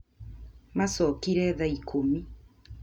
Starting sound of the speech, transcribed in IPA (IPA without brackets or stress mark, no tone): m